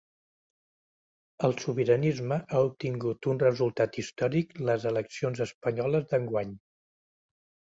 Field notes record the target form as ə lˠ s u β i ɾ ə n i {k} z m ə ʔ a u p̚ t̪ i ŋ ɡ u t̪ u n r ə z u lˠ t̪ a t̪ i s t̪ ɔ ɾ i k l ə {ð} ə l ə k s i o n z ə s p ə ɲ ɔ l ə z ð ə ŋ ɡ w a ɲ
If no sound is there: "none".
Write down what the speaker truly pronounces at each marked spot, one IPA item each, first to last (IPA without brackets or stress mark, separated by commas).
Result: none, z